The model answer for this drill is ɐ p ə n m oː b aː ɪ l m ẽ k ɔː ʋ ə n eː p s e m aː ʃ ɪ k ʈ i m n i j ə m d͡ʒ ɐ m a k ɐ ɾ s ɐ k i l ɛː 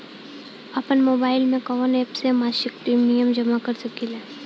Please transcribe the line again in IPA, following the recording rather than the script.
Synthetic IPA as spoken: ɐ p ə n m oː b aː ɪ l m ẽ k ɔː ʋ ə n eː p s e m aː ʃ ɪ k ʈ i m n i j ə m d͡ʒ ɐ m a k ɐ ɾ s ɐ k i l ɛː